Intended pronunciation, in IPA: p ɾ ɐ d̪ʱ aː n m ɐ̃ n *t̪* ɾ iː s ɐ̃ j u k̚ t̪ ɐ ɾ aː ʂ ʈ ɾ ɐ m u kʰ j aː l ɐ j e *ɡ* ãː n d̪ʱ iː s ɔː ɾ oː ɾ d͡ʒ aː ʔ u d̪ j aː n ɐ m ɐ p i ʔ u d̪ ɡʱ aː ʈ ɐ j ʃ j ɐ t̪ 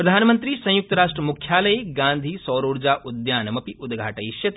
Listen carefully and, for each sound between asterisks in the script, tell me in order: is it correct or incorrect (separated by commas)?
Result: correct, correct